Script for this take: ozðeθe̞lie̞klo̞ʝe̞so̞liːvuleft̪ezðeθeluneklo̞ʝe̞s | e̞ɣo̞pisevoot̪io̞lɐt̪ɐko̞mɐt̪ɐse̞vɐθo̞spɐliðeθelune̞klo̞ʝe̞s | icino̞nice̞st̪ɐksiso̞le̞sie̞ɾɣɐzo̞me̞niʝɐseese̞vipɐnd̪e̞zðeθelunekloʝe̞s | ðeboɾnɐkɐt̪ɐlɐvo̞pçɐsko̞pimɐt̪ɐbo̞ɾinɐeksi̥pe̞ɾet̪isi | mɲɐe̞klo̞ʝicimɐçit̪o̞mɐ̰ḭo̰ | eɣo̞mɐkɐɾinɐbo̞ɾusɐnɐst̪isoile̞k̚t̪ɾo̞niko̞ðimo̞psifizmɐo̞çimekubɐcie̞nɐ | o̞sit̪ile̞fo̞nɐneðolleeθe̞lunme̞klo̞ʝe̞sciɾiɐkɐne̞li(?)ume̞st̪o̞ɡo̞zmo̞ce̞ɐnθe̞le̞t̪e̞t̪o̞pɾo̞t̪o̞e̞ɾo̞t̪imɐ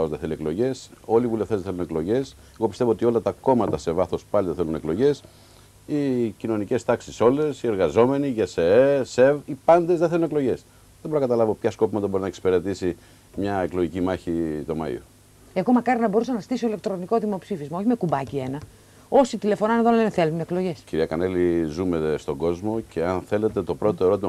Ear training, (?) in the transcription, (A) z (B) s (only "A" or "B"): A